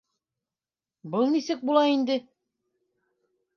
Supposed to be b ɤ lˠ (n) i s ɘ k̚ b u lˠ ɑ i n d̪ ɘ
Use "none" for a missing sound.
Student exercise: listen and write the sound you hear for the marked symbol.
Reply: n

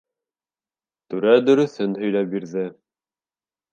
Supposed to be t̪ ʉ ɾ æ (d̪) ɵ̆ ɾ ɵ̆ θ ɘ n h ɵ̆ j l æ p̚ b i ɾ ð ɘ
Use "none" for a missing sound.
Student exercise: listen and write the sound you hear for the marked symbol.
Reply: d̪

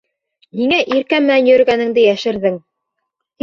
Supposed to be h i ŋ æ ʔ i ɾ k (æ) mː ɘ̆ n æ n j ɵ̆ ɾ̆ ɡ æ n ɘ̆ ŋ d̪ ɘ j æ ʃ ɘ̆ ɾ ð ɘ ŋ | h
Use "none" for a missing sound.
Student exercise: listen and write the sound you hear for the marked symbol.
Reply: æ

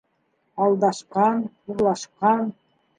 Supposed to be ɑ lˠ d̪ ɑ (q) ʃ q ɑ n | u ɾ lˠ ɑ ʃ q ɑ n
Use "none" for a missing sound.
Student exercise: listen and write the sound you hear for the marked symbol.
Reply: none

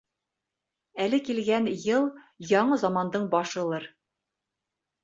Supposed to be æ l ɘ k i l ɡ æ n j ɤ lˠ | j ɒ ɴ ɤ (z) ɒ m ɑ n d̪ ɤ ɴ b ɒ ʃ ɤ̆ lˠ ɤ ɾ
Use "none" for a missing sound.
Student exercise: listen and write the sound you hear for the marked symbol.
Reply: z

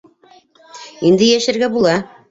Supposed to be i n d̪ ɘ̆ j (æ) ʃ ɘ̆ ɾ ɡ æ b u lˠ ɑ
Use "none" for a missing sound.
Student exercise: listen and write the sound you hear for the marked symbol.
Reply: æ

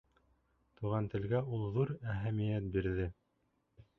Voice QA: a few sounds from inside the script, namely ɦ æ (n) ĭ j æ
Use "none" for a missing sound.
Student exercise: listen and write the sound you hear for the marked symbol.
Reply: m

